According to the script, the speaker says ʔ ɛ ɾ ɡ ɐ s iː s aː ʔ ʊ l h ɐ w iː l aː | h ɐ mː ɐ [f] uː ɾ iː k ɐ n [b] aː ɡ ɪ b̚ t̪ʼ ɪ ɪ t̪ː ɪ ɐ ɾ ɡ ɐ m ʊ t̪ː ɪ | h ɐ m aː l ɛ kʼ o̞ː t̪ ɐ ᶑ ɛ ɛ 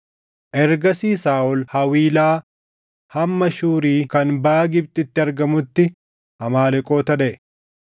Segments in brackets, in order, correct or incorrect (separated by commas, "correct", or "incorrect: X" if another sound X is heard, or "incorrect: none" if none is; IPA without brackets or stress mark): incorrect: ʃ, correct